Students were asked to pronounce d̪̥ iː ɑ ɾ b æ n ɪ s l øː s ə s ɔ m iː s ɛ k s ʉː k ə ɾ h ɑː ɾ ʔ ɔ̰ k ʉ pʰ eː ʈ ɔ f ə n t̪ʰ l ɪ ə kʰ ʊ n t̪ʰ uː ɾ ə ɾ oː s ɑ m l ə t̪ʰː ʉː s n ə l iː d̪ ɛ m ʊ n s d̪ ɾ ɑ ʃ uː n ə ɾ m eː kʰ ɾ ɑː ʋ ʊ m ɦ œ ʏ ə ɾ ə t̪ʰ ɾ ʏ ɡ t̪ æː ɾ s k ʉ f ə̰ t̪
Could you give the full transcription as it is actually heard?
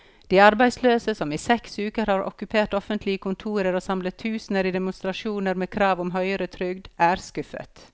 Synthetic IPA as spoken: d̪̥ iː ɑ ɾ b æ ɪ s l øː s ə s ɔ m iː s ɛ k s ʉː k ə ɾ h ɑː ɾ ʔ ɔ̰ k ʉ pʰ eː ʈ ɔ f ə n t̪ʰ l ɪ ə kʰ ʊ n t̪ʰ uː ɾ ə ɾ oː s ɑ m l ə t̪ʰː ʉː s n ə ɾ iː d̪ ɛ m ʊ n s t̪ ɾ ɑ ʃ uː n ə ɾ m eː kʰ ɾ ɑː ʋ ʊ m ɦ œ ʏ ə ɾ ə t̪ʰ ɾ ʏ ɡ d̪ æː ɾ s k ʉ f ə̰ t̪